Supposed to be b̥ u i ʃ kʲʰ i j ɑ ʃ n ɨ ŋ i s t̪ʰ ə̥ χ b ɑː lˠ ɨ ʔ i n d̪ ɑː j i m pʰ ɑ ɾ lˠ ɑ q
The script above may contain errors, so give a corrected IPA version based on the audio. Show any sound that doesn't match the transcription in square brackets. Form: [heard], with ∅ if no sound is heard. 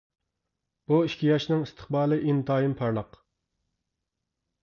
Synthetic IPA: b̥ u i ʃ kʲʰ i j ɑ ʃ n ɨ ŋ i s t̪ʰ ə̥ χ b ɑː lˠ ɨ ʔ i n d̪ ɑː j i m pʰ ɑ ɾ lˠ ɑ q